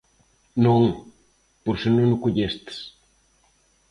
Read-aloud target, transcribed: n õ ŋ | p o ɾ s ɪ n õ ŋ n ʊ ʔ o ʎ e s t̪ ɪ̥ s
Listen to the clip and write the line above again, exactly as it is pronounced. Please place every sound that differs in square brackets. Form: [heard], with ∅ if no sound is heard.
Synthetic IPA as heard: n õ ŋ | p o ɾ s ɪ n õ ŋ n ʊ [k] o ʎ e s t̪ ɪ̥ s